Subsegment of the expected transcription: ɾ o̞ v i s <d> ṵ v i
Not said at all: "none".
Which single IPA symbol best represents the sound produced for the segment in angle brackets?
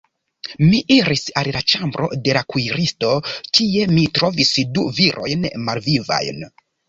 d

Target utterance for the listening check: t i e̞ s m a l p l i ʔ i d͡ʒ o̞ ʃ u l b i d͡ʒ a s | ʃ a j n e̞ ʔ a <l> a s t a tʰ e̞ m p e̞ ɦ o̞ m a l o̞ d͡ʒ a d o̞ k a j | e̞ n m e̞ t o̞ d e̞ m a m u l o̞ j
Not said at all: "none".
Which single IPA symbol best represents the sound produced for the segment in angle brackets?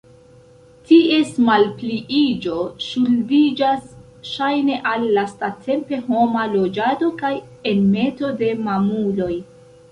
lː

